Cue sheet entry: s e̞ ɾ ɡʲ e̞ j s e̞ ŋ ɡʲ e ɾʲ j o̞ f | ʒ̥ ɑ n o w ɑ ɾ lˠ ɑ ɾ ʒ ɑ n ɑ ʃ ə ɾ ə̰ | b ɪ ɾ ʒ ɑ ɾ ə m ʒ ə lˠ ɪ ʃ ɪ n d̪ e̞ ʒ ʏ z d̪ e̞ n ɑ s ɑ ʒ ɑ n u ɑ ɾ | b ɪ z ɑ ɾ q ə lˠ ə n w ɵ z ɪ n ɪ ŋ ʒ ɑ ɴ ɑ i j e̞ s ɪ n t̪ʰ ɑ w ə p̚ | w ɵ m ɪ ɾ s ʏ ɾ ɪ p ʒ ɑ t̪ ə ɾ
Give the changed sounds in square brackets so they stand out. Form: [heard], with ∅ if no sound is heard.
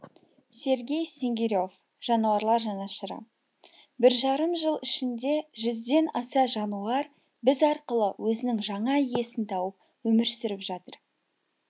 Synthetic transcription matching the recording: s e̞ ɾ ɡʲ e̞ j s e̞ ŋ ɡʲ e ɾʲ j o̞ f | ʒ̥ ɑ n [u] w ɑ ɾ lˠ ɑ ɾ ʒ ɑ n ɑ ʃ ə ɾ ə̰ | b ɪ ɾ ʒ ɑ ɾ ə m ʒ ə lˠ ɪ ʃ ɪ n d̪ e̞ ʒ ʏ z d̪ e̞ n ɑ s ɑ ʒ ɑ n u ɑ ɾ | b ɪ z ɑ ɾ q ə lˠ ə [∅] w ɵ z ɪ n ɪ ŋ ʒ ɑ ɴ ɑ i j e̞ s ɪ n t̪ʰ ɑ w ə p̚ | w ɵ m ɪ ɾ s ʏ ɾ ɪ p ʒ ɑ t̪ ə ɾ